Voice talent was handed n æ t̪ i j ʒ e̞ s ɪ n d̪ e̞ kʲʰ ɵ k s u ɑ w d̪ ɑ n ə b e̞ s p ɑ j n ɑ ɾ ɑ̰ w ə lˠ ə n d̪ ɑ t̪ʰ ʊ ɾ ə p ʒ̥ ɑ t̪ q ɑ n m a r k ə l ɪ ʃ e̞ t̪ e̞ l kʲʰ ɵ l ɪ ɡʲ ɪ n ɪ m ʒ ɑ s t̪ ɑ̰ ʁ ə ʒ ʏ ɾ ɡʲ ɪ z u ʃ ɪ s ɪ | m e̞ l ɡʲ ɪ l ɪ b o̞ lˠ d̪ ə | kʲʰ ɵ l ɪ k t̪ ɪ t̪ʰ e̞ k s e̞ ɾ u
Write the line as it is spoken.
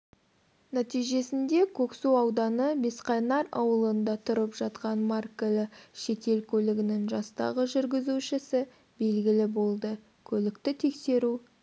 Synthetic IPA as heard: n æ t̪ i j ʒ e̞ s ɪ n d̪ e̞ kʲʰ ɵ k s u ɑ w d̪ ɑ n ə b e̞ s q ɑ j n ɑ ɾ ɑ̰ w ə lˠ ə n d̪ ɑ t̪ʰ ʊ ɾ ə p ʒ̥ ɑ t̪ q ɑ n m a r k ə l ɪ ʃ e̞ t̪ e̞ l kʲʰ ɵ l ɪ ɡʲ ɪ n ɪ ŋ ʒ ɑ s t̪ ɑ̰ ʁ ə ʒ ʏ ɾ ɡʲ ɪ z u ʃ ɪ s ɪ | b e̞ l ɡʲ ɪ l ɪ b o̞ lˠ d̪ ə | kʲʰ ɵ l ɪ k t̪ ɪ t̪ʰ e̞ k s e̞ ɾ u